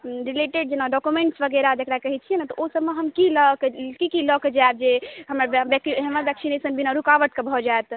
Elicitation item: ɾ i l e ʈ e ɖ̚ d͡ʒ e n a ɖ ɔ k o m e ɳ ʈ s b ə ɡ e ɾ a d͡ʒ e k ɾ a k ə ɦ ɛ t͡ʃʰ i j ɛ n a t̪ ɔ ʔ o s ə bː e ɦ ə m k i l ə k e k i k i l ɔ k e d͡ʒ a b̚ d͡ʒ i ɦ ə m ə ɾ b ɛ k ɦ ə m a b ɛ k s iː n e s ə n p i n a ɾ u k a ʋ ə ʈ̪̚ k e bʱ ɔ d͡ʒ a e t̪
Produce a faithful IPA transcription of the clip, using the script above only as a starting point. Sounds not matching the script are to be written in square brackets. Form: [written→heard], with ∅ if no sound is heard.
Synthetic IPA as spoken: ɾ i l e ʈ e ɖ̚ d͡ʒ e n a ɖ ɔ k [o→u] m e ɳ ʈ s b ə ɡ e ɾ a d͡ʒ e k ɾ a k ə ɦ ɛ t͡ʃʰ i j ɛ n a t̪ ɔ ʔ o s ə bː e ɦ ə m k i l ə k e k i k i l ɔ k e d͡ʒ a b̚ d͡ʒ [i→e] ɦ ə m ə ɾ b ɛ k ɦ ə m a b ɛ k s [iː→i] n e s ə n [p→b] i n a ɾ u k a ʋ ə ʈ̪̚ k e bʱ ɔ d͡ʒ a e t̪

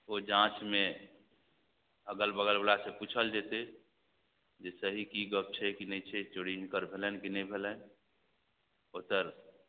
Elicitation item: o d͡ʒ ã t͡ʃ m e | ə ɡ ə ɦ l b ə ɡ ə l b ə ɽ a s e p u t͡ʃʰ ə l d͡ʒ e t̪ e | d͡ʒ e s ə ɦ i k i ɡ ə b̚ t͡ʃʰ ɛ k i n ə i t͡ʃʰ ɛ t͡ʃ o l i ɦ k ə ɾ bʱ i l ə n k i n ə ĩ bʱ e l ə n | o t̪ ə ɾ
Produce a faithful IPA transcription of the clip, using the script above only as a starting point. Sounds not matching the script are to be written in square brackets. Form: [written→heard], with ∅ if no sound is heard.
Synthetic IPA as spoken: o d͡ʒ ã t͡ʃ m e | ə ɡ ə [ɦ→∅] l b ə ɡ ə l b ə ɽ a s e p u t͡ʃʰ ə l d͡ʒ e t̪ e | d͡ʒ e s ə ɦ i k i ɡ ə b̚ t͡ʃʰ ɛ k i n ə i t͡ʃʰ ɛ t͡ʃ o [l→ɽ] i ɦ k ə ɾ bʱ [i→e] l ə n k i n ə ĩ bʱ e l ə n | o t̪ ə ɾ

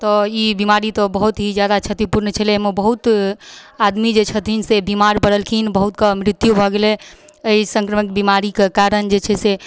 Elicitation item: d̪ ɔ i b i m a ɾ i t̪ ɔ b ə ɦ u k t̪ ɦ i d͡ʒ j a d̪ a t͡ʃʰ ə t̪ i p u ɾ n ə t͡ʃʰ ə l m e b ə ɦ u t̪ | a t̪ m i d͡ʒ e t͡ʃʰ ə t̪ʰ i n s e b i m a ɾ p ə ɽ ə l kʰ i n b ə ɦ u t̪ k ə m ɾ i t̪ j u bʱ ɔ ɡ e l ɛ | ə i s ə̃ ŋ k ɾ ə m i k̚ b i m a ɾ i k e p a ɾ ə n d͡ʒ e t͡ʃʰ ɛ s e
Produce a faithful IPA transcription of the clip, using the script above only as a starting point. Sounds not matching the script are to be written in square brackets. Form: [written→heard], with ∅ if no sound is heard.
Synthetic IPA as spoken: [d̪→t̪] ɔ i b i m a ɾ i t̪ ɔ b ə ɦ u [k→∅] t̪ ɦ i d͡ʒ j a d̪ a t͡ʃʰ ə t̪ i p u ɾ n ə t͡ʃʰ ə l m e b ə ɦ u t̪ | a [t̪→d̪] m i d͡ʒ e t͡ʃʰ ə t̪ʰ i n s e b i m a ɾ p ə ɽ ə l kʰ i n b ə ɦ u t̪ k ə m ɾ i t̪ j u bʱ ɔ ɡ e l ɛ | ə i s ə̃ ŋ k ɾ ə m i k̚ b i m a ɾ i k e [p→k] a ɾ ə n d͡ʒ e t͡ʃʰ ɛ s e

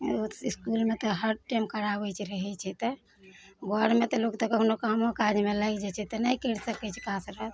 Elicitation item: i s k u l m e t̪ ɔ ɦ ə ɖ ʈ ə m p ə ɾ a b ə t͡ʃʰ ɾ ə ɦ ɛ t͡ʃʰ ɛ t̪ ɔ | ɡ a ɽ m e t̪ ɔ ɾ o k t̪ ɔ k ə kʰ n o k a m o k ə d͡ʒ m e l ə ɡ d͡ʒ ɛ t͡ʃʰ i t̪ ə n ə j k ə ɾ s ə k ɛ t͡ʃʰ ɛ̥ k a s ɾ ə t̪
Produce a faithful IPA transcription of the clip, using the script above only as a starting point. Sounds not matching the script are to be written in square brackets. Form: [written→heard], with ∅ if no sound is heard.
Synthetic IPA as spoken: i s k u l m e t̪ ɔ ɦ ə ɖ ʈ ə m [p→k] ə ɾ a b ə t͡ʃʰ ɾ ə ɦ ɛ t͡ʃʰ ɛ t̪ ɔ | ɡ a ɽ m e t̪ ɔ [ɾ→l] o k t̪ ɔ k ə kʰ n o k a m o k [ə→a] d͡ʒ m e l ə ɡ d͡ʒ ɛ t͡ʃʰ [i→ɛ] t̪ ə n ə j k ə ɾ s ə k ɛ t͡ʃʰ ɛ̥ k a s ɾ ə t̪

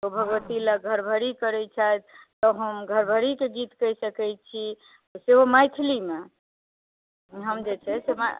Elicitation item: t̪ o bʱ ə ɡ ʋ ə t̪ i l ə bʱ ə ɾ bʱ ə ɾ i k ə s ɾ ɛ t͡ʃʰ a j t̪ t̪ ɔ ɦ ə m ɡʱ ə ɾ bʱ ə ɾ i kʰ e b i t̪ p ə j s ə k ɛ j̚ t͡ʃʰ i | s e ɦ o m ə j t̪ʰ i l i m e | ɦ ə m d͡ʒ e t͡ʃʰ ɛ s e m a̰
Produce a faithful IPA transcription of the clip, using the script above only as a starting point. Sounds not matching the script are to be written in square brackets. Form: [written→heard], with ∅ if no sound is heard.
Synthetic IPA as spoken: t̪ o bʱ ə ɡ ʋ ə t̪ i l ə [bʱ→ɡʱ] ə ɾ bʱ ə ɾ i k ə [s→∅] ɾ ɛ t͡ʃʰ a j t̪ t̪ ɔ ɦ ə m ɡʱ ə ɾ bʱ ə ɾ i [kʰ→k] e [b→ɡ] i t̪ [p→k] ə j s ə k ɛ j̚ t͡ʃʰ i | s e ɦ o m [ə→a] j t̪ʰ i l i m e | ɦ ə m d͡ʒ e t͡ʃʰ ɛ s e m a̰

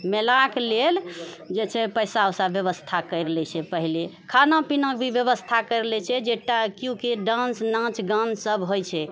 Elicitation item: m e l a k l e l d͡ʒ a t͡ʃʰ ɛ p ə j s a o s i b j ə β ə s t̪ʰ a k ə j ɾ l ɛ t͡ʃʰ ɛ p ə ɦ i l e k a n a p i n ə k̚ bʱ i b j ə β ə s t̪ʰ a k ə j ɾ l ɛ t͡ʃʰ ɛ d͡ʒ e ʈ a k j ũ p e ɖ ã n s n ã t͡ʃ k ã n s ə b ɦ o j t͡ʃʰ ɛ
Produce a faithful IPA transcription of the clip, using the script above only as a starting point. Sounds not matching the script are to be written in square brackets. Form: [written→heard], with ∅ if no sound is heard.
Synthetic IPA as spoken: m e l a k l e l d͡ʒ [a→e] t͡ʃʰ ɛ p ə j s a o s [i→a] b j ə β ə s t̪ʰ a k ə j ɾ l ɛ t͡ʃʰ ɛ p ə ɦ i l e [k→kʰ] a n a p i n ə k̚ bʱ i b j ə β ə s t̪ʰ a k ə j ɾ l ɛ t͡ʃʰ ɛ d͡ʒ e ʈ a k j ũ [p→k] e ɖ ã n s n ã t͡ʃ [k→ɡ] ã n s ə b ɦ o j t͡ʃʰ ɛ

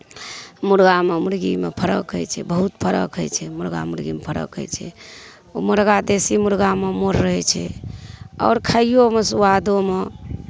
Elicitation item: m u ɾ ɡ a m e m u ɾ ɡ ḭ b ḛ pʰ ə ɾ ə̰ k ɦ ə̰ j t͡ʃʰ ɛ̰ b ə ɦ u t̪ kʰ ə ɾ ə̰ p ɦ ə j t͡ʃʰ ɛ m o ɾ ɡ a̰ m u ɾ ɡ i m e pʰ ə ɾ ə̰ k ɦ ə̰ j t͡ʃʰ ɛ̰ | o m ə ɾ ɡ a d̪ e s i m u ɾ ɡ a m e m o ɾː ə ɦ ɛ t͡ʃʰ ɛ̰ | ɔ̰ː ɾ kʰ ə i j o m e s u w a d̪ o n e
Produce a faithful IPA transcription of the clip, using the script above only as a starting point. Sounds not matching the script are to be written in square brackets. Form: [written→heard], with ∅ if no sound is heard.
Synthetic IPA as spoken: m u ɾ ɡ a m e m u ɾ ɡ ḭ [b→m] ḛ pʰ ə ɾ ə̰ k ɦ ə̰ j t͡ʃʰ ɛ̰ b ə ɦ u t̪ [kʰ→pʰ] ə ɾ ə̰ [p→k] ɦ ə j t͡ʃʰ ɛ m [o→u] ɾ ɡ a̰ m u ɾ ɡ i m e pʰ ə ɾ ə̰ k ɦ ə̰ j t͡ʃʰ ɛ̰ | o m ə ɾ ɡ a d̪ e s i m u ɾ ɡ a m e m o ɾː ə ɦ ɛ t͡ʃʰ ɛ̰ | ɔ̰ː ɾ kʰ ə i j o m e s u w a d̪ o [n→m] e

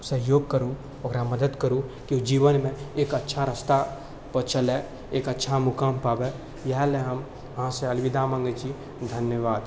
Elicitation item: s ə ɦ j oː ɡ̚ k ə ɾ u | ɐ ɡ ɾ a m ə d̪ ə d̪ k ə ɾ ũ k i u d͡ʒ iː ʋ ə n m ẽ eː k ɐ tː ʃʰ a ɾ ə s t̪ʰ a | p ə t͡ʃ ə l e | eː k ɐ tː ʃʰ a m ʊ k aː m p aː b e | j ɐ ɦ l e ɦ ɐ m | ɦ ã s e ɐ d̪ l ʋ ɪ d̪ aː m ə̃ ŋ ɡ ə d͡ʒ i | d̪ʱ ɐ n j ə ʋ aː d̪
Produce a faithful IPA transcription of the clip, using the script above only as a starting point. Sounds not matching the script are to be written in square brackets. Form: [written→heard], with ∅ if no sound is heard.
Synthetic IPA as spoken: s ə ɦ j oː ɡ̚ k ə ɾ u | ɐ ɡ ɾ a m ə d̪ ə d̪ k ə ɾ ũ k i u d͡ʒ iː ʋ ə n m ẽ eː k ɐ tː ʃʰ a ɾ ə s [t̪ʰ→t̪] a | p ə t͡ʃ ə l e | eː k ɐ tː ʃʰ a m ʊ k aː m p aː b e | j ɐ ɦ l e ɦ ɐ m | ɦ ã s e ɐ [d̪→∅] l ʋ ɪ d̪ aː m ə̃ ŋ ɡ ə d͡ʒ i | d̪ʱ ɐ n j ə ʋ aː d̪

